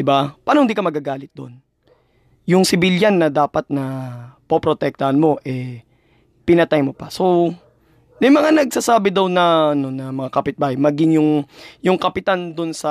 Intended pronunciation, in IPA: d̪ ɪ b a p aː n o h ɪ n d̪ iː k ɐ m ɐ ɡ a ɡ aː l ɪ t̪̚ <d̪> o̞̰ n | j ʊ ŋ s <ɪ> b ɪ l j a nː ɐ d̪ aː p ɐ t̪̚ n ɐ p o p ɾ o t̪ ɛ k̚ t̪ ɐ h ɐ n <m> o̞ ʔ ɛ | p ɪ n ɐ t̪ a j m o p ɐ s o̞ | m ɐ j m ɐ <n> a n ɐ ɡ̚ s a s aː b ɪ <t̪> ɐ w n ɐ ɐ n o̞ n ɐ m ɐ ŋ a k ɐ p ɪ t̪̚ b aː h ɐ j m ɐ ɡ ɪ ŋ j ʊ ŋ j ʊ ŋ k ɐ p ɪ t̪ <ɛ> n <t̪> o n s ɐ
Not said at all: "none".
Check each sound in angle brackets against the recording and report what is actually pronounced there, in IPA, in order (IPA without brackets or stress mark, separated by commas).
d̪, ɪ, m, ŋ, d̪, a, d̪